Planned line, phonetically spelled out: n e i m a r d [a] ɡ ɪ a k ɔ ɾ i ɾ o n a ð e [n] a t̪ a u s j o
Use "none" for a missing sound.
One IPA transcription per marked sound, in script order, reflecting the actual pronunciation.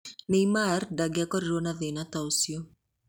a, n

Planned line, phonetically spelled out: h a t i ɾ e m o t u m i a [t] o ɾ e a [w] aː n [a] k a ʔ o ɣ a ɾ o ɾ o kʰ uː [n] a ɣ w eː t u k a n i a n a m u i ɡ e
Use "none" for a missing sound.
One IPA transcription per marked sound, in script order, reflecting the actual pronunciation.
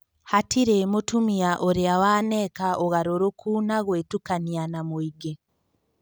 ʔ, w, e, n

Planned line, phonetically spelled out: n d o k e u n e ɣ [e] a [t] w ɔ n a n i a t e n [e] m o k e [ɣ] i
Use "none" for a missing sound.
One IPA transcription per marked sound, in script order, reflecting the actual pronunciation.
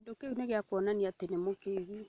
e, k, e, ɣ

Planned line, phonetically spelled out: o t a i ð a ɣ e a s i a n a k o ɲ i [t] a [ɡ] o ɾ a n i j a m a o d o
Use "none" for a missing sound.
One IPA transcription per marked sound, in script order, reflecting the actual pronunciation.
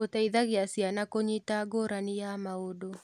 t, ɡ

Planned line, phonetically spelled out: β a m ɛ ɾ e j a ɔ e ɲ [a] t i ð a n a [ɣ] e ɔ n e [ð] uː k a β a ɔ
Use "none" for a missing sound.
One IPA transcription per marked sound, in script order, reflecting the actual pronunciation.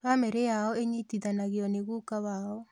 i, ɣ, ɣ

